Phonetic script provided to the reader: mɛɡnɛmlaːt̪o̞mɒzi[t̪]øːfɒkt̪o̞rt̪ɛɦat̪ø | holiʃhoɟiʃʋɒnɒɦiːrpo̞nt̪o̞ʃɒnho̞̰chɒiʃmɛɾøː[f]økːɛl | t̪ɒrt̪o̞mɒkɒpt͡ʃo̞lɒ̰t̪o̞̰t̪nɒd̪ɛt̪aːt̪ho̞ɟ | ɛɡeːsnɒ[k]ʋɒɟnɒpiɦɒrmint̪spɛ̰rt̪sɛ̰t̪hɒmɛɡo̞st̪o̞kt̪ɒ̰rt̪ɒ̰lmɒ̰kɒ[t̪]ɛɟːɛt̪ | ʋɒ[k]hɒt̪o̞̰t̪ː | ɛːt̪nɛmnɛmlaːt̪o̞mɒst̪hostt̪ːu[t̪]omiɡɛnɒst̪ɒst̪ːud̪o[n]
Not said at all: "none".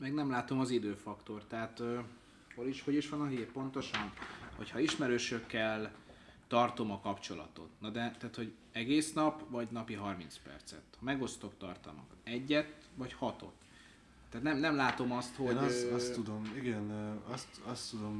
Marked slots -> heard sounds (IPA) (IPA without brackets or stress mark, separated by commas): d̪, ʃ, p, t̪, c, d̪, m